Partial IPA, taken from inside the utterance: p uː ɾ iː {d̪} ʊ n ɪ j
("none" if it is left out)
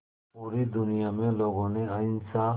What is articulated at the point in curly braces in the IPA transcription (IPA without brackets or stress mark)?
d̪